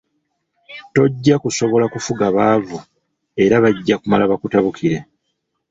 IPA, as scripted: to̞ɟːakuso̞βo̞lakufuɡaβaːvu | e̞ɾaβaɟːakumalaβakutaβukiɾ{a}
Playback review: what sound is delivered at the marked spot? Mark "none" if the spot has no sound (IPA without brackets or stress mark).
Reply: e